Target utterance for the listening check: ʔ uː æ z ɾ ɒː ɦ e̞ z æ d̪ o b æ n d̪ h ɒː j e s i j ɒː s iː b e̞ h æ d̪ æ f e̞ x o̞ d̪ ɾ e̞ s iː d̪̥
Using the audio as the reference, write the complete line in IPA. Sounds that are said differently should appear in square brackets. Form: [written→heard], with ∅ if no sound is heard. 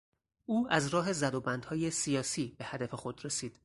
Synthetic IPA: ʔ uː æ z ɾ ɒː ɦ e̞ z æ d̪ o b æ n d̪ h ɒː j e s i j ɒː s iː b e̞ h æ d̪ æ f e̞ x o̞ d̪ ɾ e̞ s iː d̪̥